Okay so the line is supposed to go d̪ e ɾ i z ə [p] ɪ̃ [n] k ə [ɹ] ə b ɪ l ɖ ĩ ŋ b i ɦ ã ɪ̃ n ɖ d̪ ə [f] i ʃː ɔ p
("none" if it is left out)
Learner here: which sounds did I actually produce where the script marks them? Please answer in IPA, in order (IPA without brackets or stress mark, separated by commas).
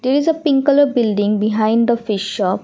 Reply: p, ŋ, l, f